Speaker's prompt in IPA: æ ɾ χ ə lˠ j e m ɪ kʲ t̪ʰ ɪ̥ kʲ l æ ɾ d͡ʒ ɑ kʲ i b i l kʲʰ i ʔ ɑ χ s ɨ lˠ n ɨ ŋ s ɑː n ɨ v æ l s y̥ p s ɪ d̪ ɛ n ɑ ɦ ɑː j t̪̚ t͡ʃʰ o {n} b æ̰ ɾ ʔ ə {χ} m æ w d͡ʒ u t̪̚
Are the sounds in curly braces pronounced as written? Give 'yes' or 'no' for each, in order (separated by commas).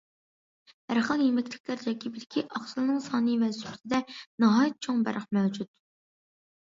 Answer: no, yes